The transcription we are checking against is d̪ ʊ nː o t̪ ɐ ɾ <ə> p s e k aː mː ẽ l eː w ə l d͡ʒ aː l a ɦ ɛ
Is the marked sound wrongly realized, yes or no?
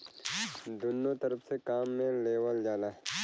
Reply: no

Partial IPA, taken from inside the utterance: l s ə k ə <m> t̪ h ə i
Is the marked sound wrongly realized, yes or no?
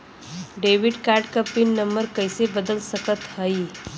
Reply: yes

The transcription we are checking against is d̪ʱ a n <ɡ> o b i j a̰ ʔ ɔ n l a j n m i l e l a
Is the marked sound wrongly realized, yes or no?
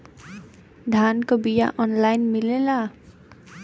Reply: yes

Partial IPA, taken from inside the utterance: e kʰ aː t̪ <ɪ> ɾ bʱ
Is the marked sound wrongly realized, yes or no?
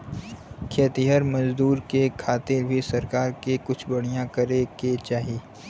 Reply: no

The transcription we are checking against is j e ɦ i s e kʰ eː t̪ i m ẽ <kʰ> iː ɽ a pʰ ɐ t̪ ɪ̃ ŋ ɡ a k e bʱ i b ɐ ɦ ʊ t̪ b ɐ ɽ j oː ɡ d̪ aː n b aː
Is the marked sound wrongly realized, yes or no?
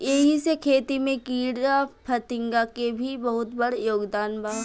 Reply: yes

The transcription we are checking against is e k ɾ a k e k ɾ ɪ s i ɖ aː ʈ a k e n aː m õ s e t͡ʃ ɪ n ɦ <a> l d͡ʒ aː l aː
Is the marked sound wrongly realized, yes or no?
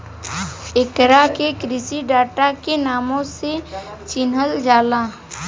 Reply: yes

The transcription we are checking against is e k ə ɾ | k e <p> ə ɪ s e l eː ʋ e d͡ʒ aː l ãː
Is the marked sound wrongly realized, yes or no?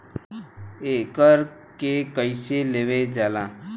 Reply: yes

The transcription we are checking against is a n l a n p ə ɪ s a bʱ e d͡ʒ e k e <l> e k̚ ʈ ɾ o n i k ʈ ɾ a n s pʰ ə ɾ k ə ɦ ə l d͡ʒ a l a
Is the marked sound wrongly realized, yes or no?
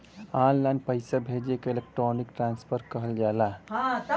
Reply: no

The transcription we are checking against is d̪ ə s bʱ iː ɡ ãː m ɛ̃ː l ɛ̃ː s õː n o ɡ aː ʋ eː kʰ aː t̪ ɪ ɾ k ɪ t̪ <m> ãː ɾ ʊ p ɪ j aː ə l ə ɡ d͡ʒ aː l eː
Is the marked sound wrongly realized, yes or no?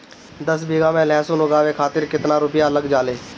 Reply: yes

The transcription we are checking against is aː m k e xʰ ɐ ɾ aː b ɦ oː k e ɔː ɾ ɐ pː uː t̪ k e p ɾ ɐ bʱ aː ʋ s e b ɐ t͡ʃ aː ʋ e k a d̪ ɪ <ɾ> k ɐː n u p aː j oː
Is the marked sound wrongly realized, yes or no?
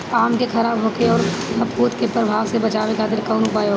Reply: no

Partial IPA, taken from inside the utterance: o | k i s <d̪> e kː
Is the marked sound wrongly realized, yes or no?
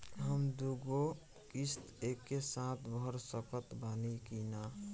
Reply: yes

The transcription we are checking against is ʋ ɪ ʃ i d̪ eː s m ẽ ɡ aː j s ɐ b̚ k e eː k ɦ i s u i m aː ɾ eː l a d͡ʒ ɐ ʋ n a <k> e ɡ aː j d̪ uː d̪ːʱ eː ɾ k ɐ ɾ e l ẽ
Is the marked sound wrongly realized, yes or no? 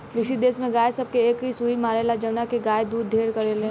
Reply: no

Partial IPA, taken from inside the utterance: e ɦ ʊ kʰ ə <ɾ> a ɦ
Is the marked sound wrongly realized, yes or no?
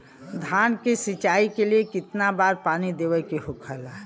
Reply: yes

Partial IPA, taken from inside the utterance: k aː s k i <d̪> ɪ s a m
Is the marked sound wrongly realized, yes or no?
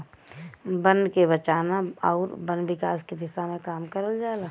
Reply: no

